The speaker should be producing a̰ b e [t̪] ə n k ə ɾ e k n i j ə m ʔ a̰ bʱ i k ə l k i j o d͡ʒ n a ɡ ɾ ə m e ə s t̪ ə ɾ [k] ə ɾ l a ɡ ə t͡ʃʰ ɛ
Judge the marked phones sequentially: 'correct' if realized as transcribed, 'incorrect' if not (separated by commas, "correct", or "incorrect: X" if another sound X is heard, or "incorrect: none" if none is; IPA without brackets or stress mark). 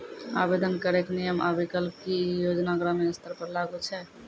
incorrect: d̪, incorrect: p